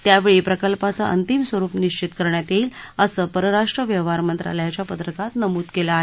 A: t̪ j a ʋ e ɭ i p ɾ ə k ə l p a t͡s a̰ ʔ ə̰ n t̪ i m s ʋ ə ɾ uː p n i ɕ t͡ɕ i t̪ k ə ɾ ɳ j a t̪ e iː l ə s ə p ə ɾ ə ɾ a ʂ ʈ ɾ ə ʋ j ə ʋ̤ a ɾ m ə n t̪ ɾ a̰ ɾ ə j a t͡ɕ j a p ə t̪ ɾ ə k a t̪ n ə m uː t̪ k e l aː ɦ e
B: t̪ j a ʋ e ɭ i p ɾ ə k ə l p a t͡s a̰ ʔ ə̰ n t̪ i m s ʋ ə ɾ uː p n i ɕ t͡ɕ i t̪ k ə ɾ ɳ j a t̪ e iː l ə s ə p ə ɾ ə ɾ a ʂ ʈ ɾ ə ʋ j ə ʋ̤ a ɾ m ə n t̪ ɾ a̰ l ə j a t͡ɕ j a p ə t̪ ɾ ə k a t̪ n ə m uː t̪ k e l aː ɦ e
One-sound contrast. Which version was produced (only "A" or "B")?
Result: B